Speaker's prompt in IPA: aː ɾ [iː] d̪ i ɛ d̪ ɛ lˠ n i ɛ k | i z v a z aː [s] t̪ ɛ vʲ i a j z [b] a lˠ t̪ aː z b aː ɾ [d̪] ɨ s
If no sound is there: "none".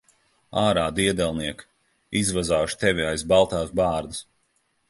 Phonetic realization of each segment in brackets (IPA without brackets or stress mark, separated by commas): aː, ʃ, b, d̪